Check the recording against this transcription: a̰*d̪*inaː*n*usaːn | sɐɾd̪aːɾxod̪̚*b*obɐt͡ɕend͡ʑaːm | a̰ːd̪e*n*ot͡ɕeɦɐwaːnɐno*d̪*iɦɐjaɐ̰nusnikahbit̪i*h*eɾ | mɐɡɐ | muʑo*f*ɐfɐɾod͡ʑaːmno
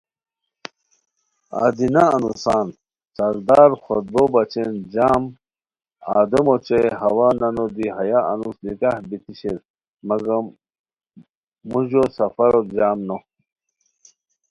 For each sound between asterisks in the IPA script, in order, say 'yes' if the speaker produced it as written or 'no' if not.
yes, yes, yes, no, yes, no, no

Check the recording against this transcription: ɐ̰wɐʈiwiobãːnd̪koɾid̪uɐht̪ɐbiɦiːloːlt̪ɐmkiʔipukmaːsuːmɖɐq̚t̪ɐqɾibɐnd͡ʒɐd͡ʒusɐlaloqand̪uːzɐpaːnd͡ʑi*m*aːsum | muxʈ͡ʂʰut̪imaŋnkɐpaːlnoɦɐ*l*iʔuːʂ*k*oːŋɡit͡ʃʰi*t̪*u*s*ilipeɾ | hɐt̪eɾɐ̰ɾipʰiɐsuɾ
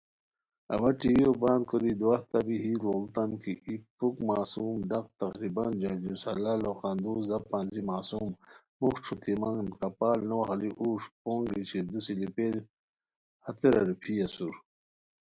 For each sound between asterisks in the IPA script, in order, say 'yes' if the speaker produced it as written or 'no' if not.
yes, yes, no, no, yes

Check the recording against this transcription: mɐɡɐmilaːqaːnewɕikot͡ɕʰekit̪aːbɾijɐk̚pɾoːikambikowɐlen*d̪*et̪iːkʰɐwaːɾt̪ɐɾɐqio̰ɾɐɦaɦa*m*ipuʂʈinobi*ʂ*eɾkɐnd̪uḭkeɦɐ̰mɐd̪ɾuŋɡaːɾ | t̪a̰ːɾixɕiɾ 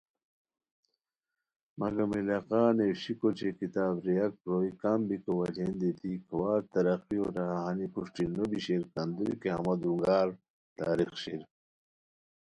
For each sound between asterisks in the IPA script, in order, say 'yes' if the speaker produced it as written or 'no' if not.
yes, no, no

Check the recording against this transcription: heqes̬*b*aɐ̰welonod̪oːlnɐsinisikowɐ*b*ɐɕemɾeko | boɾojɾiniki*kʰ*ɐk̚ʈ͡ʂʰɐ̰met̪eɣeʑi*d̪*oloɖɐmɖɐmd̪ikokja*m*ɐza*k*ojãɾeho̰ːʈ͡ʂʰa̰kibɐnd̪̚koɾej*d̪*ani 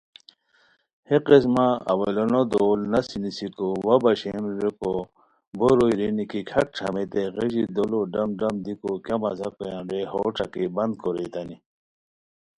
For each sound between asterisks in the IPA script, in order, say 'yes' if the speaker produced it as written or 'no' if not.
no, yes, yes, yes, yes, yes, no

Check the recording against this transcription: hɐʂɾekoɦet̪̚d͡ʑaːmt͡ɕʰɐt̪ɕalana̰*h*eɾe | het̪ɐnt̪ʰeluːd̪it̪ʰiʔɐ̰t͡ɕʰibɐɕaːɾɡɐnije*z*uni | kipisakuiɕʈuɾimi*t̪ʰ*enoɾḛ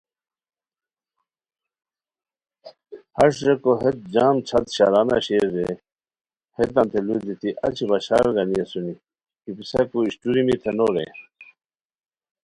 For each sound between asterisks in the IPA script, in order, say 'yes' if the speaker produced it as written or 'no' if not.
no, no, yes

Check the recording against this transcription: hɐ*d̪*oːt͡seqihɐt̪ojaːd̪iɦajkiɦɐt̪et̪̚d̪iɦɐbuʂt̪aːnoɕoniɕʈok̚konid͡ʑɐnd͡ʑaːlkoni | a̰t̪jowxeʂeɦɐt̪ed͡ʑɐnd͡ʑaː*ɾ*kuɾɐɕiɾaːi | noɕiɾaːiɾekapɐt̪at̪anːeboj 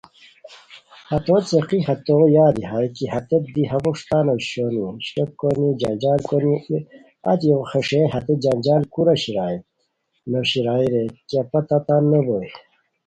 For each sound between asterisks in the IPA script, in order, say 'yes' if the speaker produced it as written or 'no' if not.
no, no

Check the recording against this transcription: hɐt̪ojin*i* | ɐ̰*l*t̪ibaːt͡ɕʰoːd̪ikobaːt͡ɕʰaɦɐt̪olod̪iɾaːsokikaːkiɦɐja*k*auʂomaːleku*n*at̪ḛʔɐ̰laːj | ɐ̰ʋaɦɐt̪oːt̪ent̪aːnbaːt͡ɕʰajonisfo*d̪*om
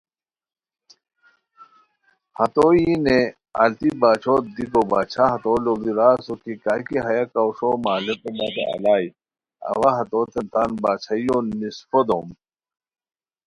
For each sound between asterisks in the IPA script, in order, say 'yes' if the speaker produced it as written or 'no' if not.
no, yes, yes, no, yes

